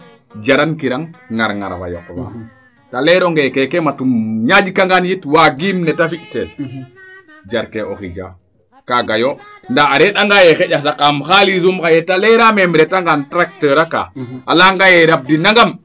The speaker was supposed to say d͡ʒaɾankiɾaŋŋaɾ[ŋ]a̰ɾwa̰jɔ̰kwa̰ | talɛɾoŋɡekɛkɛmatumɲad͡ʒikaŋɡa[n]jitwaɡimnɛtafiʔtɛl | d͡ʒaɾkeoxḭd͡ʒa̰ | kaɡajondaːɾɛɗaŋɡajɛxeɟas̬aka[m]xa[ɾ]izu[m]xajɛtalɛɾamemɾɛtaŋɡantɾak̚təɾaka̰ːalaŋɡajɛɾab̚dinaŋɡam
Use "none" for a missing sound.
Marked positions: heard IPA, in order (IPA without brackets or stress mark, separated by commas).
ŋ, n, m, l, m